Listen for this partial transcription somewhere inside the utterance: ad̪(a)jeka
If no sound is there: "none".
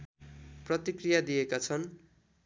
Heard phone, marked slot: i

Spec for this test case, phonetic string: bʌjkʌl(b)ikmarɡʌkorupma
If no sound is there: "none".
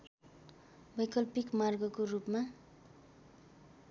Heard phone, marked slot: p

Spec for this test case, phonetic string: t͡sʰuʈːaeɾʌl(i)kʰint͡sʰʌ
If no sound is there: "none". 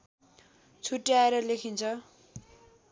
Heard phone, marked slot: e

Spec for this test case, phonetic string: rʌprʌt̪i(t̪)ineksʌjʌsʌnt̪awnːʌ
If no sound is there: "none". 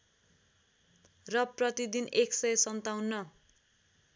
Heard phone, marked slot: d̪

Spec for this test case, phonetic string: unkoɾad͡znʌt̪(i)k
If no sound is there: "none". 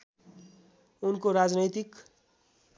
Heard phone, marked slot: i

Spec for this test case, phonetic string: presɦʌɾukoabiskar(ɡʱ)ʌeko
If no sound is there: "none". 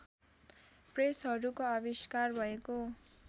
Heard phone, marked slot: bʱ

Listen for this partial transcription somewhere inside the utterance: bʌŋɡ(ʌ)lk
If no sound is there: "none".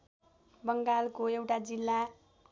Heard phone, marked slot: a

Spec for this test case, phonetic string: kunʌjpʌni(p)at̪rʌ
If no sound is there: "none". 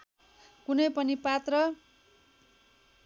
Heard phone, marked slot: p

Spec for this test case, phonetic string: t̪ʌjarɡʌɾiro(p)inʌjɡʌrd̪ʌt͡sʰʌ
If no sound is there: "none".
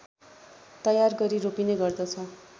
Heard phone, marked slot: p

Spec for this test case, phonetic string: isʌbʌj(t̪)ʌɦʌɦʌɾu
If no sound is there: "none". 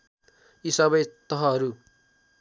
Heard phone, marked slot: t̪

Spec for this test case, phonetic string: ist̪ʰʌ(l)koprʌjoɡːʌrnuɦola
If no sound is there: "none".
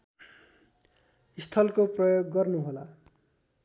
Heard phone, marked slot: l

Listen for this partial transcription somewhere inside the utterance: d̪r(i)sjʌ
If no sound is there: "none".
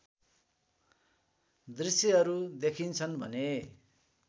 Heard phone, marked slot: i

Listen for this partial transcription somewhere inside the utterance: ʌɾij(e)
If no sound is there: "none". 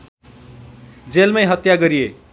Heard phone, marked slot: e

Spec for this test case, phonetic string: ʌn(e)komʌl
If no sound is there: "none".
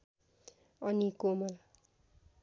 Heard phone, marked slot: i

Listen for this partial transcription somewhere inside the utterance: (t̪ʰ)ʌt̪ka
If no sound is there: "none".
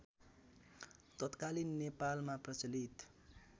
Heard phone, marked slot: t̪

